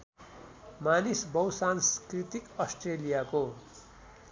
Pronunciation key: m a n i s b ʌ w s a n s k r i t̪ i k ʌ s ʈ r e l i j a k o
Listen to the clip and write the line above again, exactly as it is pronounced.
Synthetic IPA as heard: m a n i s b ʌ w s a n s k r i t̪ i k ʌ s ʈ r e l i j a k o

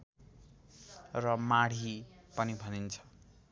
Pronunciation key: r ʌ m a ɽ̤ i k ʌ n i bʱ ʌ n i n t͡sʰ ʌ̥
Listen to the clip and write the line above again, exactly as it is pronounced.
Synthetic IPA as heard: r ʌ m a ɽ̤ i p ʌ n i bʱ ʌ n i n t͡sʰ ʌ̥

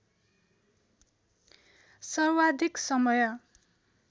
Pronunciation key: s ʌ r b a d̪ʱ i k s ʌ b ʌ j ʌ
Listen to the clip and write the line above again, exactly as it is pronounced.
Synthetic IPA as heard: s ʌ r w a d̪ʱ i k s ʌ m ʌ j ʌ

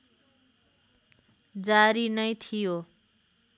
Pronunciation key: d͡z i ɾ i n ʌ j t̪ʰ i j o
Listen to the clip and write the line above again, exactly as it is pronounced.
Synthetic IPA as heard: d͡z a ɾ i n ʌ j t̪ʰ i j o

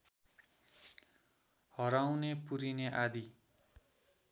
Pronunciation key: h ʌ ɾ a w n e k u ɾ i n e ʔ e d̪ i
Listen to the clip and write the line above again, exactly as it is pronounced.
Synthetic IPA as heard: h ʌ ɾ a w n e p u ɾ i n e ʔ a d̪ i

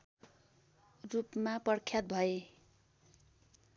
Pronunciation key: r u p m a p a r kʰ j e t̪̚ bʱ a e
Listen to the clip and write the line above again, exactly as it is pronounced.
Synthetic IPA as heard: r u p m a p ʌ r kʰ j a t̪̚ bʱ ʌ e

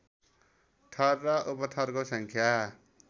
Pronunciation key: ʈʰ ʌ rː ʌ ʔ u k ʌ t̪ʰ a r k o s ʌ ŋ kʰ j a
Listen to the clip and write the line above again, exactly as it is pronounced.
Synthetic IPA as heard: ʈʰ ʌ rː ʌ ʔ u p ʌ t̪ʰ ʌ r k o s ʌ ŋ kʰ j a

